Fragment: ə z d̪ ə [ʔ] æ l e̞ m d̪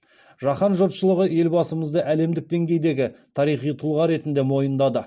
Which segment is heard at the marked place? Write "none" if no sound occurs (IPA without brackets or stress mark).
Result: ʔ